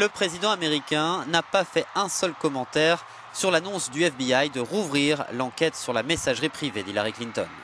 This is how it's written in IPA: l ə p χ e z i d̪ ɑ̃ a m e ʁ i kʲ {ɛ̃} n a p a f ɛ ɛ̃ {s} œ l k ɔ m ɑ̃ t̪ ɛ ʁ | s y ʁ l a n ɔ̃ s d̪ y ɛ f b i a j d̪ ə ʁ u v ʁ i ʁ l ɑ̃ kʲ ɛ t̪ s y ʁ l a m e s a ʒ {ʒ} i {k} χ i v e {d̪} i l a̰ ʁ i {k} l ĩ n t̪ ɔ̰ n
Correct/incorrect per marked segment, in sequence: correct, correct, incorrect: ʁ, incorrect: p, correct, correct

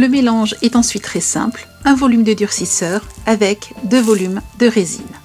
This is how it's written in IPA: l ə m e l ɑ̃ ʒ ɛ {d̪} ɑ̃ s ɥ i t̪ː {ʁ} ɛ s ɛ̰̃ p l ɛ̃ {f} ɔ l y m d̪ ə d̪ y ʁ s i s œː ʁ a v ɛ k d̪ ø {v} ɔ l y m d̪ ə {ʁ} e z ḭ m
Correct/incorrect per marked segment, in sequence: incorrect: t̪, incorrect: χ, incorrect: v, correct, correct

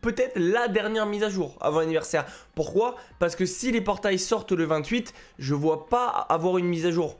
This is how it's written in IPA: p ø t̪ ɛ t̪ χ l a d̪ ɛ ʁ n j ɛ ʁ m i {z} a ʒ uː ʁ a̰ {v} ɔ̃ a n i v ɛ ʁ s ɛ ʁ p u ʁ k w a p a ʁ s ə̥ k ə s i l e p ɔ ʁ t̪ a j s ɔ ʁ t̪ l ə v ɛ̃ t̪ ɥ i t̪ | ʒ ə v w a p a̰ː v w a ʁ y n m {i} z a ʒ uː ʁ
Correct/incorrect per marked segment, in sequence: correct, correct, correct

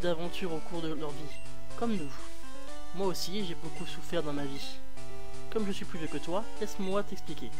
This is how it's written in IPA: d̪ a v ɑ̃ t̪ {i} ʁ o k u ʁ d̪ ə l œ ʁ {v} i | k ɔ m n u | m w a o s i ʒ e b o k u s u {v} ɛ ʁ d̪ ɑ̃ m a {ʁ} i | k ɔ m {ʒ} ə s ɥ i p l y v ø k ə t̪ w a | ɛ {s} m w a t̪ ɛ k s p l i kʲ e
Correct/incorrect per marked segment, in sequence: incorrect: y, correct, incorrect: f, incorrect: v, correct, correct

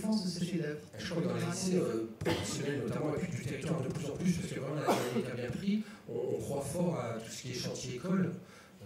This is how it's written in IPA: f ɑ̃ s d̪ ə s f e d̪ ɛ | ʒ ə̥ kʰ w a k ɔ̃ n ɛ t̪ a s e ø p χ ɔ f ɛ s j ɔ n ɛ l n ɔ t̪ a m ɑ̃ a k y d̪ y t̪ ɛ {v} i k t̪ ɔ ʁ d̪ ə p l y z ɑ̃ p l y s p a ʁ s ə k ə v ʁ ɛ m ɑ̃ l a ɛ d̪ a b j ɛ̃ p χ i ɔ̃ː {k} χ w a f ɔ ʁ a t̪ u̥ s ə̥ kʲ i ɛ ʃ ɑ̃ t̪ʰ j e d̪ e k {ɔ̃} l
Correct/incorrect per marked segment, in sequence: incorrect: ʁ, correct, incorrect: ɔ

